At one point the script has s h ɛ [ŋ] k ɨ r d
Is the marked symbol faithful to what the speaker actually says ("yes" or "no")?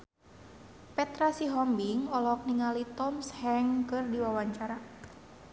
yes